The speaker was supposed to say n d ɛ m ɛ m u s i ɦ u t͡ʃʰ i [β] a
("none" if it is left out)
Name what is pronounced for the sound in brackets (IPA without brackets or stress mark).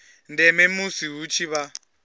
β